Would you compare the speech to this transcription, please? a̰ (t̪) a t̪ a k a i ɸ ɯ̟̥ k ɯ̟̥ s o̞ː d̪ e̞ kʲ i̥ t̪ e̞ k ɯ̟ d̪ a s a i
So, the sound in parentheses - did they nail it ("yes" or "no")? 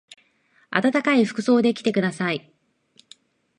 yes